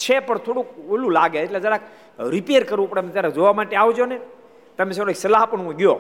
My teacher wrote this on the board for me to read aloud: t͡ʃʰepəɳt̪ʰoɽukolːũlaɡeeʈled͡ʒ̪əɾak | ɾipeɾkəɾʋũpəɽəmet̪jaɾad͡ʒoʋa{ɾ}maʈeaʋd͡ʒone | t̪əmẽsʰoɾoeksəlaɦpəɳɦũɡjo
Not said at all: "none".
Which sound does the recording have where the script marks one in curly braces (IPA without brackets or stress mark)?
none